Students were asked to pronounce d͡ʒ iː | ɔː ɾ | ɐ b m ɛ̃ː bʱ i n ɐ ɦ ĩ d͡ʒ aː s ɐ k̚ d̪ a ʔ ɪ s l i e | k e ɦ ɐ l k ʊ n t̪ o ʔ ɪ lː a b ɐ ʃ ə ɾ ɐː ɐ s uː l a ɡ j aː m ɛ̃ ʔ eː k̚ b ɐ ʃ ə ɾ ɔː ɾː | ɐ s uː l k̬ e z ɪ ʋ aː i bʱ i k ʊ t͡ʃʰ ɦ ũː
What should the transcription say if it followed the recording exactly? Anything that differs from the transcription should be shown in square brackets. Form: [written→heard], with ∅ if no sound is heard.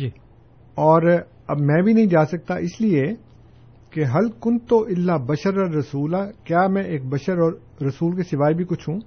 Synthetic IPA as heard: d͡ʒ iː | ɔː ɾ | ɐ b m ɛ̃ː bʱ i n ɐ ɦ ĩ d͡ʒ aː s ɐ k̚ [d̪→t̪] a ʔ ɪ s l i e | k e ɦ ɐ l k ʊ n t̪ o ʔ ɪ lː a b ɐ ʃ ə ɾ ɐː ɐ s uː l a [ɡ→k] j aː m ɛ̃ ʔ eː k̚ b ɐ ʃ ə ɾ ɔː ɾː | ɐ s uː l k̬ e [z→s] ɪ ʋ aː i bʱ i k ʊ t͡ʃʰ ɦ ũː